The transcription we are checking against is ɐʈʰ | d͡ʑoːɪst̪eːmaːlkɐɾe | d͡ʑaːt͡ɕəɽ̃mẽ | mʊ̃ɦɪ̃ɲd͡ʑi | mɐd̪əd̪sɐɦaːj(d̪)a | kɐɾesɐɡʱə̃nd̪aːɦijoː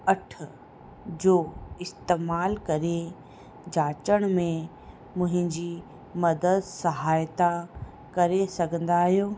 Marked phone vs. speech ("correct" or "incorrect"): incorrect